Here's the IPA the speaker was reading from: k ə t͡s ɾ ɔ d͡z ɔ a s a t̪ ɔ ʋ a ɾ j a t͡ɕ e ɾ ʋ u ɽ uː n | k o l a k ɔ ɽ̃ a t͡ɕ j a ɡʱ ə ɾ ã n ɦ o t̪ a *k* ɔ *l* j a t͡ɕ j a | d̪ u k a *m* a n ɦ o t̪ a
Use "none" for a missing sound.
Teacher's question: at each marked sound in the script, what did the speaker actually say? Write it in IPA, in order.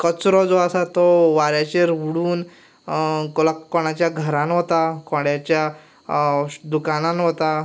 k, ɽ, n

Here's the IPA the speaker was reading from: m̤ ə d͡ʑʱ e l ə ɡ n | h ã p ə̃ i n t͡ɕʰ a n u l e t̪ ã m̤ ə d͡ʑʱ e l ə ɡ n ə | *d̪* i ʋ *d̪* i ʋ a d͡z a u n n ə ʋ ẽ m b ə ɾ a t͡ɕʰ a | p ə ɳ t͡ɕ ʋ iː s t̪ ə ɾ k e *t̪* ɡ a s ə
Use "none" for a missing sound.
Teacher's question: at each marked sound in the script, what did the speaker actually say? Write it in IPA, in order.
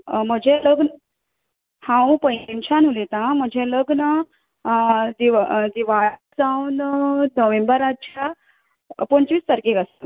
d̪, d̪, none

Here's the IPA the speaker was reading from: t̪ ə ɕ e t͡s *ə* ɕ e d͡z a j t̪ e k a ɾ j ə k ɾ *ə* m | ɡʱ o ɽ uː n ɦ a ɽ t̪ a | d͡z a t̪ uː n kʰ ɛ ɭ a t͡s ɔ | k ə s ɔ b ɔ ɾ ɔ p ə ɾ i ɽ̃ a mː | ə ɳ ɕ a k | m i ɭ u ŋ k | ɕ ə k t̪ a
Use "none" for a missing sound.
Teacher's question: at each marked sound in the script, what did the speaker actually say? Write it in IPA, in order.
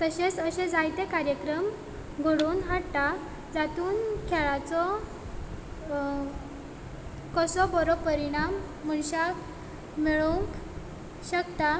ə, ə

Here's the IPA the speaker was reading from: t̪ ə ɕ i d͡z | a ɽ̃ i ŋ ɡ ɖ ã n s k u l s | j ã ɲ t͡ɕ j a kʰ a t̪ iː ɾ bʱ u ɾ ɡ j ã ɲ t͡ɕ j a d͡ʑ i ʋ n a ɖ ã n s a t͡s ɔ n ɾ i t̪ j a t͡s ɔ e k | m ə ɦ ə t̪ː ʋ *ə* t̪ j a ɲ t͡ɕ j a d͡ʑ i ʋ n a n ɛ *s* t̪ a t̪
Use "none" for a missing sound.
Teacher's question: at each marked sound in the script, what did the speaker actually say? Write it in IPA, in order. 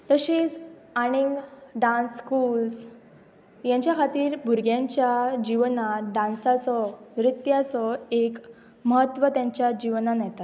ə, none

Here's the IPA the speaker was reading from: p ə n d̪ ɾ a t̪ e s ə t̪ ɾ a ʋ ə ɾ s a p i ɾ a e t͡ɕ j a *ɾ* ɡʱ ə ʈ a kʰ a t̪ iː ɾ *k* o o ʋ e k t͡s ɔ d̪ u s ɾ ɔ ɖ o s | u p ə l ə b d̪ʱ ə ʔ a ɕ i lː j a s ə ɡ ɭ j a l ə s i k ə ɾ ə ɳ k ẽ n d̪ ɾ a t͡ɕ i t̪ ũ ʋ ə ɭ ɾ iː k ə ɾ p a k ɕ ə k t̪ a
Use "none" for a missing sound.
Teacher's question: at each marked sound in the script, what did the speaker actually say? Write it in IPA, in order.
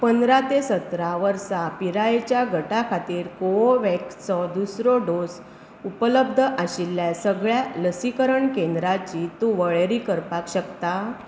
none, k

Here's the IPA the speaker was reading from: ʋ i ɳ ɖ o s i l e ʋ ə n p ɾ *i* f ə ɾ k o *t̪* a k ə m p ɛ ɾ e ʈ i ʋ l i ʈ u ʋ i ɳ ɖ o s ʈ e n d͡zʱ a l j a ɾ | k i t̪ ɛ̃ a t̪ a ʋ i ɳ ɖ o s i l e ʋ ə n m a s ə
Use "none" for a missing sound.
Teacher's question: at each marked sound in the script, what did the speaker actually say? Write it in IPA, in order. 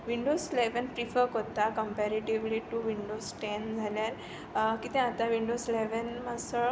i, t̪

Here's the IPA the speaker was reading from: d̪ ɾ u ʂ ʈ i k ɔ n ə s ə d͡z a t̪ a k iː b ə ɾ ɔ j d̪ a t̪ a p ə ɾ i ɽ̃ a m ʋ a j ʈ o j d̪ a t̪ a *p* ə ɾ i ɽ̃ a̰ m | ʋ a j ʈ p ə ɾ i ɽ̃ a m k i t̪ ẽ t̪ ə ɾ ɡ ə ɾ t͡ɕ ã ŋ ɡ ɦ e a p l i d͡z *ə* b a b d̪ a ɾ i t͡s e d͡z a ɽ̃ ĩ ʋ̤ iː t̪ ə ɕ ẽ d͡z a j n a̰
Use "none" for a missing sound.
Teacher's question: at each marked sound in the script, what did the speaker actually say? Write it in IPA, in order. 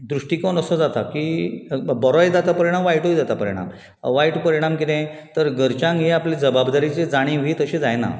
p, ə

